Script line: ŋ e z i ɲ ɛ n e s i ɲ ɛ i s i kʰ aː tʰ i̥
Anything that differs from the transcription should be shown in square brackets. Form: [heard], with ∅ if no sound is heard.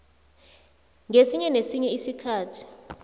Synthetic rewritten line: ŋ e [s] i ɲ ɛ n e s i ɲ ɛ i s i kʰ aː tʰ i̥